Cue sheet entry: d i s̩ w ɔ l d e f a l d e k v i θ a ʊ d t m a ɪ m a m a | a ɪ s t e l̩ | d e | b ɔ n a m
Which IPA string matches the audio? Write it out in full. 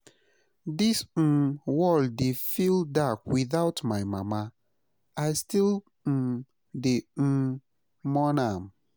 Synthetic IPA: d i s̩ w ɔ l d e f i l d a k w i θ a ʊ t m a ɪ m a m a | a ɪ s t i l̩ | d e | m ɔ n a m